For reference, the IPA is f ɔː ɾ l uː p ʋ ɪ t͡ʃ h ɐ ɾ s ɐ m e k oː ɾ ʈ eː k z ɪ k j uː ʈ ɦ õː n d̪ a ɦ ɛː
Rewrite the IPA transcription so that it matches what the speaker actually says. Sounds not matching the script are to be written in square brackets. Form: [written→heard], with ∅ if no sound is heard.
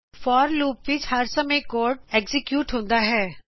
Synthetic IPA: f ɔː ɾ l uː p ʋ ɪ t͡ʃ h ɐ ɾ s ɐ m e k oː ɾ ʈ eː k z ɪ k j uː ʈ ɦ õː n d̪ a ɦ ɛː